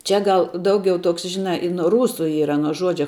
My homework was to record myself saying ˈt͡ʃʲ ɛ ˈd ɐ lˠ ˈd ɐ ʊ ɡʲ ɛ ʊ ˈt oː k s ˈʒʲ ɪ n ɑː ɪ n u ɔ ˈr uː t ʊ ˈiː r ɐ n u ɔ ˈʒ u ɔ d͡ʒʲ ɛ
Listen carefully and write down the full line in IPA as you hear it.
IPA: ˈt͡ʃʲ ɛ ˈɡ ɐ lˠ ˈd ɐ ʊ ɡʲ ɛ ʊ ˈt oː k s ˈʒʲ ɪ n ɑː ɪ n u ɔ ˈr uː s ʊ ˈiː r ɐ n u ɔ ˈʒ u ɔ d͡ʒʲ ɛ